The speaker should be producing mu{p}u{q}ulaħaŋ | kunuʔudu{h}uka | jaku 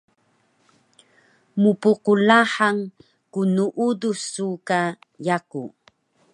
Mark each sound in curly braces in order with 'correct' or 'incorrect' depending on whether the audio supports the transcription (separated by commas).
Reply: correct, correct, incorrect